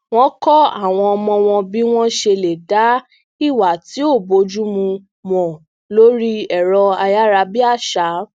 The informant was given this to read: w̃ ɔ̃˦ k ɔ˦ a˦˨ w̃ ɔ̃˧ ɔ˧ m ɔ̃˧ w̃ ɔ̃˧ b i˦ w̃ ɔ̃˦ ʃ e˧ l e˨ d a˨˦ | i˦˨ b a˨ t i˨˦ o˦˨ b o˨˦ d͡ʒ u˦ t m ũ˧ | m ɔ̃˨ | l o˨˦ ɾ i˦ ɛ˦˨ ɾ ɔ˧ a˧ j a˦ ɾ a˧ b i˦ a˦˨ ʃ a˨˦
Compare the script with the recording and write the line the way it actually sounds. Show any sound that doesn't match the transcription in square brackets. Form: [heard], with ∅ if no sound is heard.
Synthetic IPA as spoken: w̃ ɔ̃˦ k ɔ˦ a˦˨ w̃ ɔ̃˧ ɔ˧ m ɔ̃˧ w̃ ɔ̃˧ b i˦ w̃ ɔ̃˦ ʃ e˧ l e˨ d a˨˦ | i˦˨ [w] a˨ t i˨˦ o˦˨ b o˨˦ d͡ʒ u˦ [∅] m ũ˧ | m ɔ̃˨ | l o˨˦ ɾ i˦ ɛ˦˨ ɾ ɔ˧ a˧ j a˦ ɾ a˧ b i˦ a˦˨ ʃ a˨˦